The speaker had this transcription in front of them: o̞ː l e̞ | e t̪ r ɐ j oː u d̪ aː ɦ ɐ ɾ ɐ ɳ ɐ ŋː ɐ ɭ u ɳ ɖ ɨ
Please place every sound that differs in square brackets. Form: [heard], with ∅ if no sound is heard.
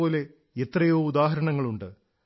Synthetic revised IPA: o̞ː l e̞ | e t̪ r ɐ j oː u d̪ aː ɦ ɐ ɾ ɐ ɳ ɐ ŋː ɐ ɭ u ɳ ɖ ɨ